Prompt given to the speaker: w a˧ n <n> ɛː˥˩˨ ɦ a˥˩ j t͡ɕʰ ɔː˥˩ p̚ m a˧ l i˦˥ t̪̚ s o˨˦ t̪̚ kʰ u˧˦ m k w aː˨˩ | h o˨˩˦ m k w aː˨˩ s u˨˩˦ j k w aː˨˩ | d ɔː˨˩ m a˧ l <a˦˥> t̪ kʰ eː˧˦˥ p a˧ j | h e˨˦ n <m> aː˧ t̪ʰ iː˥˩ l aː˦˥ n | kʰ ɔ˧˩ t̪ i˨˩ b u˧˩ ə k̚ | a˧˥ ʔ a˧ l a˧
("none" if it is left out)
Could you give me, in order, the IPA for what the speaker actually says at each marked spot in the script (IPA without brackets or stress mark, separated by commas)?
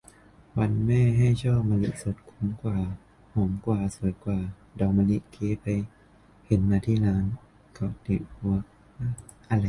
m, i˦˥, m